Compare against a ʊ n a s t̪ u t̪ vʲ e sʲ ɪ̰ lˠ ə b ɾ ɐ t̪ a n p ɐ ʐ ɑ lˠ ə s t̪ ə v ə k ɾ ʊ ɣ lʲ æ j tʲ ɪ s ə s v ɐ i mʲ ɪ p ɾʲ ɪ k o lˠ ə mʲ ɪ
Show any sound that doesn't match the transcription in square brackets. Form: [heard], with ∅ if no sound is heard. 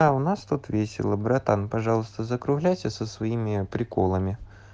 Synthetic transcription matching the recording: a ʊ n a s t̪ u t̪ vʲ e sʲ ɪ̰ lˠ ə b ɾ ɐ t̪ a n p ɐ ʐ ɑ lˠ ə s t̪ ə [z] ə k ɾ ʊ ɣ lʲ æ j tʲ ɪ s ə s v ɐ i mʲ ɪ p ɾʲ ɪ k o lˠ ə mʲ ɪ